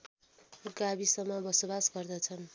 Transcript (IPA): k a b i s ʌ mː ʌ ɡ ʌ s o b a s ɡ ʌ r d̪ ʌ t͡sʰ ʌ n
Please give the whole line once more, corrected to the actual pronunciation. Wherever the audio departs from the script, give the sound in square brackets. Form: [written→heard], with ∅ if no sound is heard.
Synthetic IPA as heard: [k→ɡ] a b i s ʌ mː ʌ [ɡ→b] ʌ s o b a s ɡ ʌ r d̪ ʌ t͡sʰ ʌ n